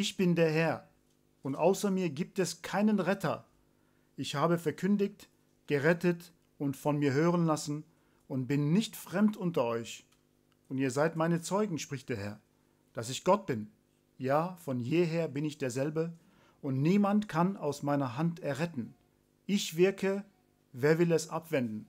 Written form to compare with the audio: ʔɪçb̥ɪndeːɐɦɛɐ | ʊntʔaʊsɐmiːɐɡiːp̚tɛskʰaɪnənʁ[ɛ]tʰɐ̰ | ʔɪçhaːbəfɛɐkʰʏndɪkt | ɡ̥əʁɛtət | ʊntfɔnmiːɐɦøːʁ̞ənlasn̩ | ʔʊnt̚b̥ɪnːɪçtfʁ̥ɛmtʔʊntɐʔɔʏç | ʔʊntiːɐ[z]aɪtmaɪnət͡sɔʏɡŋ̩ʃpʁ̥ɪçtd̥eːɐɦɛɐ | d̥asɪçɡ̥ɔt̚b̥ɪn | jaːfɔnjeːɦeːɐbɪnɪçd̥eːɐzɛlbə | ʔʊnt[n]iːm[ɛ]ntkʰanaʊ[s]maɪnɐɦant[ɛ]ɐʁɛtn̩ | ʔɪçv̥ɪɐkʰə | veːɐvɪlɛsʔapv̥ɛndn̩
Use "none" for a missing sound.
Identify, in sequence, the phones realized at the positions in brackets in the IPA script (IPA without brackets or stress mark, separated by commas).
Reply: ɛ, z, n, a, s, ɛ